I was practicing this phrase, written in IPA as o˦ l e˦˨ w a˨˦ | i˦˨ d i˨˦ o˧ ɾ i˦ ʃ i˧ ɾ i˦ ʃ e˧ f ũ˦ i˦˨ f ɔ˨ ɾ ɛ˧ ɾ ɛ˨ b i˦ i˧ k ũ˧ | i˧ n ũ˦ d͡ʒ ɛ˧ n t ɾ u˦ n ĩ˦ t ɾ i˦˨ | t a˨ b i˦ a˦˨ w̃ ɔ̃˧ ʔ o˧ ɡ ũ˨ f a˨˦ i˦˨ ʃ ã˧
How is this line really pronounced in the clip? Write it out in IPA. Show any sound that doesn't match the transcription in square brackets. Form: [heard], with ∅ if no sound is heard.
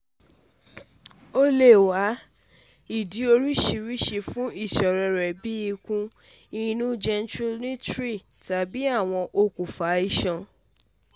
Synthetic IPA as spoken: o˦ l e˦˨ w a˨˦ | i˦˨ d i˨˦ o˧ ɾ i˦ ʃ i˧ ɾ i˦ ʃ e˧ f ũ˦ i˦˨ [ʃ] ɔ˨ ɾ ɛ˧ ɾ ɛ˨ b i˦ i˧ k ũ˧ | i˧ n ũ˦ d͡ʒ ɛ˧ n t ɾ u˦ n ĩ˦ t ɾ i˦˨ | t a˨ b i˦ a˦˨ w̃ ɔ̃˧ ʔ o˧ [k] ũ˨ f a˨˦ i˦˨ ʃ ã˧

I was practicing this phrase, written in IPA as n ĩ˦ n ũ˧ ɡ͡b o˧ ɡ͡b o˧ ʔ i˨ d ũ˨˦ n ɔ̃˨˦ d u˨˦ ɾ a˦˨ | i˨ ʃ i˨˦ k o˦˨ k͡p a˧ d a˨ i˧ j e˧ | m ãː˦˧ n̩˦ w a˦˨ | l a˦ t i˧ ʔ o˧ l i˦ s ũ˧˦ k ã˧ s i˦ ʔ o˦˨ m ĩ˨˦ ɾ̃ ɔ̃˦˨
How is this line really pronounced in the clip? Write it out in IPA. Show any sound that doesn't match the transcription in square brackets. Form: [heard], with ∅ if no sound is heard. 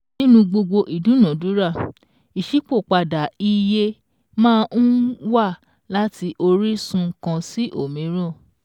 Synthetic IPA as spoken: n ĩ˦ n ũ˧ ɡ͡b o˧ ɡ͡b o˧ ʔ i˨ d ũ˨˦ n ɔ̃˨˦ d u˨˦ ɾ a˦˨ | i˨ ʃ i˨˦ [k͡p] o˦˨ k͡p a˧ d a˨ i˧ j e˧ | m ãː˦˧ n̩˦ w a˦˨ | l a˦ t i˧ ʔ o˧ [ɾ] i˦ s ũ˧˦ k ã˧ s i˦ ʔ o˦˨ m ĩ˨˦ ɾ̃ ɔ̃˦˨

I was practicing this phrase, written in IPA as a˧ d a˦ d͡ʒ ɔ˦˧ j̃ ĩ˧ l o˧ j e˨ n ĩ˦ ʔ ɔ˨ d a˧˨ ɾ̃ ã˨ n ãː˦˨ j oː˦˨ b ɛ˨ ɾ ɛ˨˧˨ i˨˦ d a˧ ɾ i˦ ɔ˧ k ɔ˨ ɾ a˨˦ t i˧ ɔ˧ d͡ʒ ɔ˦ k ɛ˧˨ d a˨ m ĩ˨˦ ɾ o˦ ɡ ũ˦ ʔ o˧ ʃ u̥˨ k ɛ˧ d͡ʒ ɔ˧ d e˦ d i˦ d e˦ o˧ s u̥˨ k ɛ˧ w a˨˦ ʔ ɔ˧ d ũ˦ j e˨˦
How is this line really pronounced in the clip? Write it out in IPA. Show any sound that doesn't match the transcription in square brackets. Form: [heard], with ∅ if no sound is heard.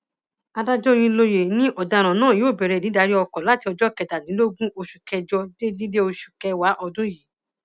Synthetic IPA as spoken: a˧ d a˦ d͡ʒ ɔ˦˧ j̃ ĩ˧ l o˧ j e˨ n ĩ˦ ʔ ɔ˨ d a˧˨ ɾ̃ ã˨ n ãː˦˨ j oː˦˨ b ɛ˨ ɾ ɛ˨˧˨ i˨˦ d a˧ ɾ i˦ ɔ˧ k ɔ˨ [l] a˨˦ t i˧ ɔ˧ d͡ʒ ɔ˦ k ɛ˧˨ d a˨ [n] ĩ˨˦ [l] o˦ ɡ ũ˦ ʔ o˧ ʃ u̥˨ k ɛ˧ d͡ʒ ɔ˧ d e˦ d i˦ d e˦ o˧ [ʃ] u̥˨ k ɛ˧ w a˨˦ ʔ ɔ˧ d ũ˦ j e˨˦

